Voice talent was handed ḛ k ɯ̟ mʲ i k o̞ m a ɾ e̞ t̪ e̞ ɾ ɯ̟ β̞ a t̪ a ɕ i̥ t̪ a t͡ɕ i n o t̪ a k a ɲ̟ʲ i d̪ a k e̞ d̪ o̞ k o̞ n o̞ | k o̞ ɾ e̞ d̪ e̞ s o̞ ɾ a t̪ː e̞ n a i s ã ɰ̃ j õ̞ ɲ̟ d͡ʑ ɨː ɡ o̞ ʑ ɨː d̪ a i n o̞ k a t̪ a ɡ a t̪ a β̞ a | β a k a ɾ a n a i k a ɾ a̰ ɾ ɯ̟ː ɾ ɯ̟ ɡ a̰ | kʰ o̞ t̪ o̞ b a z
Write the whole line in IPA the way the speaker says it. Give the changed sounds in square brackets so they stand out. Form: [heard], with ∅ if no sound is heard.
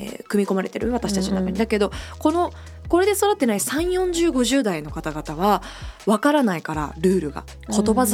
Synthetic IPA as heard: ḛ k ɯ̟ mʲ i k o̞ m a ɾ e̞ t̪ e̞ ɾ ɯ̟ β̞ a t̪ a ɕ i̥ t̪ a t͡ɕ i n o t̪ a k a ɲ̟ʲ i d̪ a k e̞ d̪ o̞ k o̞ n o̞ | k o̞ ɾ e̞ d̪ e̞ s o̞ ɾ a t̪ː e̞ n a i s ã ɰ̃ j õ̞ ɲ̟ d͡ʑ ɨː ɡ o̞ ʑ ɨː d̪ a i n o̞ k a t̪ a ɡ a t̪ a β̞ a | β a k a ɾ a n a i k a ɾ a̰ ɾ ɯ̟ː ɾ ɯ̟ ɡ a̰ | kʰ o̞ t̪ o̞ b a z